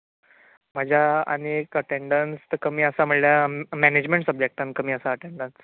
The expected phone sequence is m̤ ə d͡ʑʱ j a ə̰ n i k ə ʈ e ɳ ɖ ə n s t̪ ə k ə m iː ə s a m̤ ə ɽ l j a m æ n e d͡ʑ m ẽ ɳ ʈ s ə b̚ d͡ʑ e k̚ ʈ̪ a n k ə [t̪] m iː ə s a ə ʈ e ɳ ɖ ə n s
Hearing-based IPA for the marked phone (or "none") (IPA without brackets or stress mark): none